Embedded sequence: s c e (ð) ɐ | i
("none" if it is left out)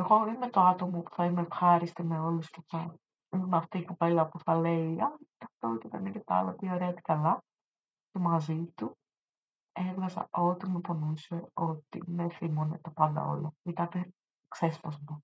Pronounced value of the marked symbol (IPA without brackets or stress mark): θ